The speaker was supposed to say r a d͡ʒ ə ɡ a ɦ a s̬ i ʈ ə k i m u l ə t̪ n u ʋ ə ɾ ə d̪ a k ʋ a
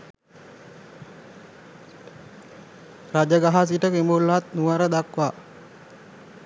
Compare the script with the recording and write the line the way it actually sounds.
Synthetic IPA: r a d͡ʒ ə ɡ a ɦ a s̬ i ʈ ə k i m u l a t̪ n u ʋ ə ɾ ə d̪ a k ʋ a